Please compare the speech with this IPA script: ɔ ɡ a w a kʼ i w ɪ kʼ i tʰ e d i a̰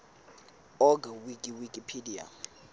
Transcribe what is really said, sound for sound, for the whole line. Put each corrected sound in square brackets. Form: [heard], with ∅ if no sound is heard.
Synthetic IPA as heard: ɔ ɡ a w [i] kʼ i w [i] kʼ i [pʰ] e d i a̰